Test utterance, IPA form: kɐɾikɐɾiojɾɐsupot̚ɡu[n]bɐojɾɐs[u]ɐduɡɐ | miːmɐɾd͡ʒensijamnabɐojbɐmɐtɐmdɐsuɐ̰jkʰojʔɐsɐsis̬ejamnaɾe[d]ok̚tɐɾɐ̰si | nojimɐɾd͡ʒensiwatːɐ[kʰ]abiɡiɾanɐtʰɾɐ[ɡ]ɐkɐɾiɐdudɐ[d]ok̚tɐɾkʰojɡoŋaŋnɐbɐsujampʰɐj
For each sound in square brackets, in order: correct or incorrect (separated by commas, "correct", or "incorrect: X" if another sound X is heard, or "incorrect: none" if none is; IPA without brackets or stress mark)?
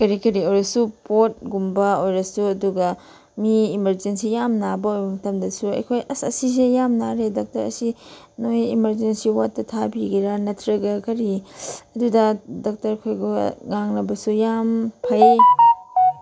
incorrect: m, correct, correct, incorrect: tʰ, correct, correct